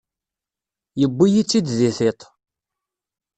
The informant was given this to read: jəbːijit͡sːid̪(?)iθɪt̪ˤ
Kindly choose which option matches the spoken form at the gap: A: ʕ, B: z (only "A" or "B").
B